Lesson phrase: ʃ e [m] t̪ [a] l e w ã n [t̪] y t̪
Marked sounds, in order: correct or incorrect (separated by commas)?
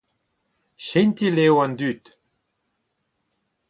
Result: incorrect, incorrect, incorrect